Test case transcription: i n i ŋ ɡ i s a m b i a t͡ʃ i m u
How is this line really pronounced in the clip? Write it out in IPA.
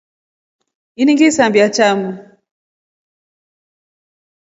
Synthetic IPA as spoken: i n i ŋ ɡ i s a m b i a t͡ʃ a m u